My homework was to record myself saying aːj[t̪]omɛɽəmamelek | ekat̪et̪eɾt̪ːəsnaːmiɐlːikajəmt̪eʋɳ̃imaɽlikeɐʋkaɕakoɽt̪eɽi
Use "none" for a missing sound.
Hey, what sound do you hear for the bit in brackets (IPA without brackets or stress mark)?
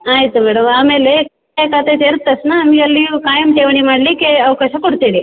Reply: t̪